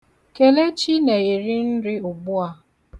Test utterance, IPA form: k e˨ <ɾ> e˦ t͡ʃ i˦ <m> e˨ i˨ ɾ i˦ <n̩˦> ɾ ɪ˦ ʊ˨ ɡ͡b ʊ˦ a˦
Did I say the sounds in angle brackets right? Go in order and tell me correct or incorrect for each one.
incorrect: l, incorrect: n, correct

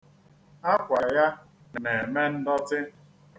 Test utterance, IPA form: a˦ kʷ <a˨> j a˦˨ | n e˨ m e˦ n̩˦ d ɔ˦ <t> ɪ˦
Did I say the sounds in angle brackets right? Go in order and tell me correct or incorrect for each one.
correct, correct

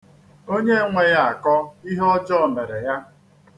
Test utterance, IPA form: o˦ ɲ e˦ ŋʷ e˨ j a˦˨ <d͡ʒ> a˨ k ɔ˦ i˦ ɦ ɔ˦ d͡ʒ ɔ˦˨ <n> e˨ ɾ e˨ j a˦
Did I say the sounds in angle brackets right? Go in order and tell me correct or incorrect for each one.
incorrect: none, incorrect: m

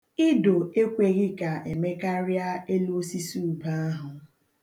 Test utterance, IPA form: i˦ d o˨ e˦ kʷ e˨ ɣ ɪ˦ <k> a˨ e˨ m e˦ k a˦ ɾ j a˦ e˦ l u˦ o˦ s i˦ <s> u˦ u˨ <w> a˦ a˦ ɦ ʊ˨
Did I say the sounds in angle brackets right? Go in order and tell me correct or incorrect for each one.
correct, correct, incorrect: b

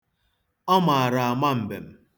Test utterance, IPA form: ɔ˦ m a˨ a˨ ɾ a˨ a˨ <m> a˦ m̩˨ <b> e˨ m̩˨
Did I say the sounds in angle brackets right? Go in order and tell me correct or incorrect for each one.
correct, correct

